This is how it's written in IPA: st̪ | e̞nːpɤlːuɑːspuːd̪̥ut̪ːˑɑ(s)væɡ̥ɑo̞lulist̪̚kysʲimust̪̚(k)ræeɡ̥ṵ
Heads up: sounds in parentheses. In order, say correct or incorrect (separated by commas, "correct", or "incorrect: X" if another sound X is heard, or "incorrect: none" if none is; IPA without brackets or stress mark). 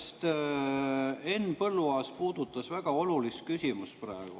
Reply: correct, incorrect: p